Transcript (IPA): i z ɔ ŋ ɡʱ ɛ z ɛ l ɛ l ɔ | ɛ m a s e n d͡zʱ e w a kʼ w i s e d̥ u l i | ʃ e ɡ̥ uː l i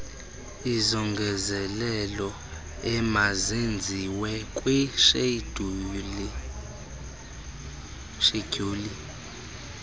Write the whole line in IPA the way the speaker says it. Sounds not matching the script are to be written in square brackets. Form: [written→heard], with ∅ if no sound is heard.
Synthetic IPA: i z ɔ ŋ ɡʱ ɛ z ɛ l ɛ l ɔ | ɛ m a [s→z] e n d͡zʱ [e→i] w [a→ɛ] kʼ w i [s→ʃ] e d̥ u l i | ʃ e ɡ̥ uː l i